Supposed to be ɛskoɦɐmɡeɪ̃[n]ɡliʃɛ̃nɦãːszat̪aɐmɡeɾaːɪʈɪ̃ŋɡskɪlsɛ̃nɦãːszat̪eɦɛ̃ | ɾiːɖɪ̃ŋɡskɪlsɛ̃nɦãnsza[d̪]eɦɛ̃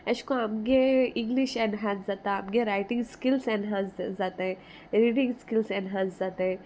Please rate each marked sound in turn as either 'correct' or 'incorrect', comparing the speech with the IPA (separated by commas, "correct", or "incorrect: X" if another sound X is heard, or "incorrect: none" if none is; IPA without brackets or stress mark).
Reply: incorrect: ŋ, incorrect: t̪